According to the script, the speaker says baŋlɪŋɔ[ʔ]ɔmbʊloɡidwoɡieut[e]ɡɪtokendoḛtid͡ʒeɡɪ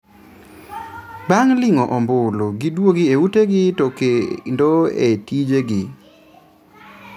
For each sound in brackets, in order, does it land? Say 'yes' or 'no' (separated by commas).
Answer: yes, yes